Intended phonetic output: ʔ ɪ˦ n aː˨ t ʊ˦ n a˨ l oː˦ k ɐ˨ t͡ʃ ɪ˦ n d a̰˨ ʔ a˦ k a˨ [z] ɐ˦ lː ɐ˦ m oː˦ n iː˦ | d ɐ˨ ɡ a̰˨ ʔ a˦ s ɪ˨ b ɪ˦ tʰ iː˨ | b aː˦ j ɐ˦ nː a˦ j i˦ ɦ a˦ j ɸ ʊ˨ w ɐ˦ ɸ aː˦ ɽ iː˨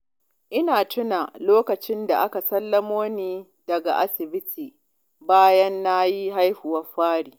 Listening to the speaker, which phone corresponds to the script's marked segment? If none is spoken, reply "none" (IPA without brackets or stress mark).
s